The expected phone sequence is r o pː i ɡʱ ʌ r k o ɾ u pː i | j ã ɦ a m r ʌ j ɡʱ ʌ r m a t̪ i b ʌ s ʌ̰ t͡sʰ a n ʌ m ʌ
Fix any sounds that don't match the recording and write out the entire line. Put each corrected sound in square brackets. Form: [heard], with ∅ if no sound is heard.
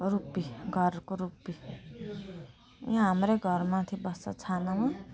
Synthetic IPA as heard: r [u] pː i ɡʱ ʌ r k o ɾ u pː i | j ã ɦ a m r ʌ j ɡʱ ʌ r m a [t̪ʰ] i b ʌ s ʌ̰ t͡sʰ a n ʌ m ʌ